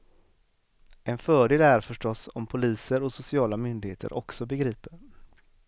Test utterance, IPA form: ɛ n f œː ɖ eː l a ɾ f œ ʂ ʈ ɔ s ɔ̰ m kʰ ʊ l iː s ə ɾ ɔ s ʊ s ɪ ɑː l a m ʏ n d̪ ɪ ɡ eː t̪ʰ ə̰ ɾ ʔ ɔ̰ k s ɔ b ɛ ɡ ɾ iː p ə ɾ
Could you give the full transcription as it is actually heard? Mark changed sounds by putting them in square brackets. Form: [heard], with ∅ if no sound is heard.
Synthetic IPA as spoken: ɛ n f œː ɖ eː l [æ] ɾ f œ ʂ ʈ ɔ s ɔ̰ m [pʰ] ʊ l iː s ə ɾ ɔ s ʊ s ɪ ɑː l a m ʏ n d̪ ɪ ɡ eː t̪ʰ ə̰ ɾ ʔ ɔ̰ k s ɔ b ɛ ɡ ɾ iː p ə ɾ